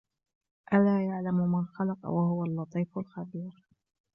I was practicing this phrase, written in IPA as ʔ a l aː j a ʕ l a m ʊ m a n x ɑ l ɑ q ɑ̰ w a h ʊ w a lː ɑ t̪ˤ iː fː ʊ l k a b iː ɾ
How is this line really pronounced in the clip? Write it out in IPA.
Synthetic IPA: ʔ a l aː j a ʕ l a m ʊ m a n x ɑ l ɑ q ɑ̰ w a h ʊ w a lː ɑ t̪ˤ iː f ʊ l x a b iː ɾ